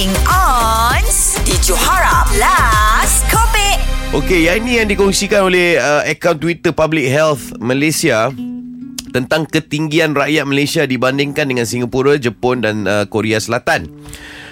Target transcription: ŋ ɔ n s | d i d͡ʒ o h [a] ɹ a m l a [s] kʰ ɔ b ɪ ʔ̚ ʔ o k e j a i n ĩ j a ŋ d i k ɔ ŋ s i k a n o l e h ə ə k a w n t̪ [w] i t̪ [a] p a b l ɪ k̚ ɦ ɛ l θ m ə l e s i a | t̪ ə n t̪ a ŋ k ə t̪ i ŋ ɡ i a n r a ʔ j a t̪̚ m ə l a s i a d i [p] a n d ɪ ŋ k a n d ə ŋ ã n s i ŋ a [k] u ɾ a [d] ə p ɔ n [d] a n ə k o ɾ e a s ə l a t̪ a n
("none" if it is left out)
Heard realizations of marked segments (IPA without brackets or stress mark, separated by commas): a, s, w, ə, b, p, d͡ʒ, d